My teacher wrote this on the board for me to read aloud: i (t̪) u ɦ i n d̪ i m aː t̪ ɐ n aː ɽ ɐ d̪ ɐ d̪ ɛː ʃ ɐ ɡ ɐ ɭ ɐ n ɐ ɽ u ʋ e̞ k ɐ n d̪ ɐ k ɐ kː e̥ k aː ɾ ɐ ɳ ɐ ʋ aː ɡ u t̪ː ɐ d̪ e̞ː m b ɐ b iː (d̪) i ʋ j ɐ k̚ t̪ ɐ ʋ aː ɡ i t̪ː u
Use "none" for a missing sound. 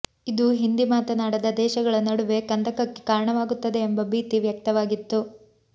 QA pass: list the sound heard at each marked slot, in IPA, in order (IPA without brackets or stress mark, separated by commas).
d̪, t̪